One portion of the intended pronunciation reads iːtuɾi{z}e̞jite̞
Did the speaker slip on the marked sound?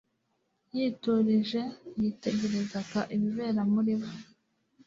yes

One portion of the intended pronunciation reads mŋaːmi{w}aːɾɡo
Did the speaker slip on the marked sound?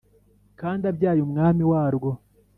no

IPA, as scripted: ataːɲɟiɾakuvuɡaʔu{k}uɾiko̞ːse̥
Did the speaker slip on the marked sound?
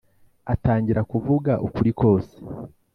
no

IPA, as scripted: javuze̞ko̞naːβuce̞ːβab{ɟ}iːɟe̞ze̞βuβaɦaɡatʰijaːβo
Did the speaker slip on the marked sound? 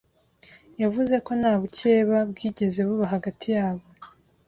yes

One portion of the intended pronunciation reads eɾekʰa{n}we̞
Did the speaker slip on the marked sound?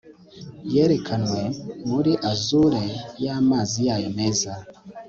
no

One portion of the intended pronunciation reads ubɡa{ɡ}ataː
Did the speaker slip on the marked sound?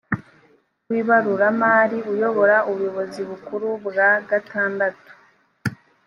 no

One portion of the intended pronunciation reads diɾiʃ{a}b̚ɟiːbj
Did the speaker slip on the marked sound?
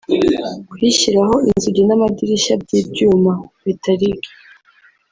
no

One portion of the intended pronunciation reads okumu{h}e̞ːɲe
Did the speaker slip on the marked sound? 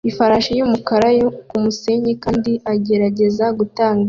yes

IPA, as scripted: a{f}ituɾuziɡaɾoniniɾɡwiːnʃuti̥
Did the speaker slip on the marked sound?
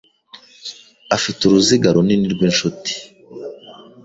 no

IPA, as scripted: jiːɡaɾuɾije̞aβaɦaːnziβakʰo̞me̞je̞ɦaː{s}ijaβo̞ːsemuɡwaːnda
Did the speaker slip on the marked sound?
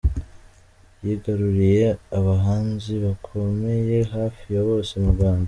yes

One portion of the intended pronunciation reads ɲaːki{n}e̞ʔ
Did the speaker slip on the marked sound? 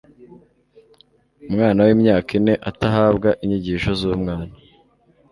no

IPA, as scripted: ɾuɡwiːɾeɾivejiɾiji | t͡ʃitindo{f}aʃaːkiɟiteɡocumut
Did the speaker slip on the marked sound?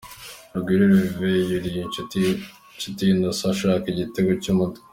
yes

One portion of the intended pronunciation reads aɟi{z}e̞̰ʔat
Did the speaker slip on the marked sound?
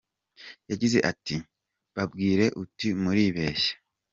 no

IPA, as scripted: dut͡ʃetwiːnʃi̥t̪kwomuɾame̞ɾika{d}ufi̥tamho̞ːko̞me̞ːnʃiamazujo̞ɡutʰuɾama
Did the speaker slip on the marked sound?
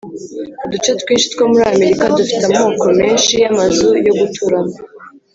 no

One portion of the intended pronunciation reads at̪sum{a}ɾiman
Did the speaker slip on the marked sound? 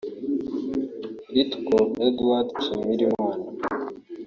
yes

